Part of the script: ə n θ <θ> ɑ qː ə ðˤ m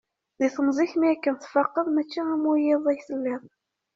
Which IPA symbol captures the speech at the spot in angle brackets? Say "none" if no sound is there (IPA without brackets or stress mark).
f